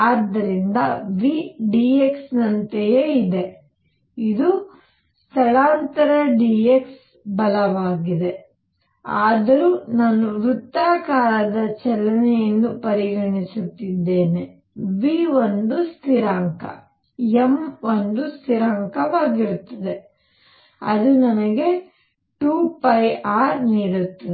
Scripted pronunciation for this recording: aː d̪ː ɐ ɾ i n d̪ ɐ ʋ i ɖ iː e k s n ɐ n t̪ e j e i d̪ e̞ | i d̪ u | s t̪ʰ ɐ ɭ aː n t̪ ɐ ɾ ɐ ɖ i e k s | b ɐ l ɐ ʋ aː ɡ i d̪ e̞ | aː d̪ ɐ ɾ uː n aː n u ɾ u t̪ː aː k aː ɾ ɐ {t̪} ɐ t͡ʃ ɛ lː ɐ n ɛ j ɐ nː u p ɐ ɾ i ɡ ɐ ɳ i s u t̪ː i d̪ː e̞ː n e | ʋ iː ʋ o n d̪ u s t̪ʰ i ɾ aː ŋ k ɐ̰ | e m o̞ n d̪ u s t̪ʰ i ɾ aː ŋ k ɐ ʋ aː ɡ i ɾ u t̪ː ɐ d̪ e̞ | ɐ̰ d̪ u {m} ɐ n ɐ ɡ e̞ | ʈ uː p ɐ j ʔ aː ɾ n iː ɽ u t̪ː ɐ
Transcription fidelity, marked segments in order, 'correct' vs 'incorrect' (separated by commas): incorrect, incorrect